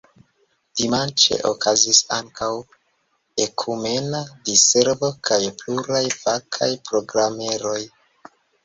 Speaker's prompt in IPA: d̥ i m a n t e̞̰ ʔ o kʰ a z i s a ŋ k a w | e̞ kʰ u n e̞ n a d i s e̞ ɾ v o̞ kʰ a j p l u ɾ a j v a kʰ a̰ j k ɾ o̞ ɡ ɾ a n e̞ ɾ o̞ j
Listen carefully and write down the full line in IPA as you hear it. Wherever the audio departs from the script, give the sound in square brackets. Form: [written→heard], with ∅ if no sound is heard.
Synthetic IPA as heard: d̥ i m a n [t→t͡ʃ] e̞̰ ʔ o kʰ a z i s a ŋ k a w | e̞ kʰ u [n→m] e̞ n a d i s e̞ ɾ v o̞ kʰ a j p l u ɾ a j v a kʰ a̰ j [k→p] ɾ o̞ ɡ ɾ a [n→m] e̞ ɾ o̞ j